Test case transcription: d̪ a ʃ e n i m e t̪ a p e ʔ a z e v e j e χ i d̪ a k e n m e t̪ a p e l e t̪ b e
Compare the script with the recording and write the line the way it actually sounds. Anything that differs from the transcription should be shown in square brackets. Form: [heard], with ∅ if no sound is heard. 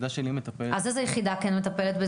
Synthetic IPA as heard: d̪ a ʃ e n i m e t̪ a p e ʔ a z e [z] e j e χ i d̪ a k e n m e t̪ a p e l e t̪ b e